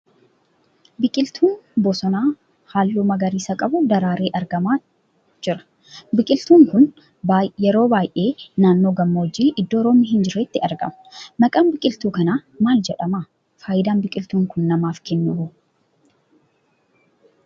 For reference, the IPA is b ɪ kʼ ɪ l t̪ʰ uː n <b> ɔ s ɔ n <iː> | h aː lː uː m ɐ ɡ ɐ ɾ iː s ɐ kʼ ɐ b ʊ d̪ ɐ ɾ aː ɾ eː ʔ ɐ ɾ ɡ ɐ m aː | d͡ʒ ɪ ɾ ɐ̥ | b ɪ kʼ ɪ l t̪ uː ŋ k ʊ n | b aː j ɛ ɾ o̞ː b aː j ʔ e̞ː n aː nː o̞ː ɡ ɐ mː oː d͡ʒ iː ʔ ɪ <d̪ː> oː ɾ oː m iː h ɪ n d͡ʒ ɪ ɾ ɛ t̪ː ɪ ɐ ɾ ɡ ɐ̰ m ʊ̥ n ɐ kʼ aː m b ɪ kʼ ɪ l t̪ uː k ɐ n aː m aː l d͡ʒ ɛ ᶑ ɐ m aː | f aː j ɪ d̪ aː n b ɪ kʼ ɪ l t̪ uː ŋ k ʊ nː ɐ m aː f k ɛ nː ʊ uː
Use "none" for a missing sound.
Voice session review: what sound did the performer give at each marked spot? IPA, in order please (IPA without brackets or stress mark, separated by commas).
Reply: b, aː, d̪ː